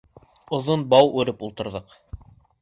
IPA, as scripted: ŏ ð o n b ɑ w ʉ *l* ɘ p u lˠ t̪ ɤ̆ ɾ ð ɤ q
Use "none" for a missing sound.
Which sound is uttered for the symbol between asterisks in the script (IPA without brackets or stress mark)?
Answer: ɾ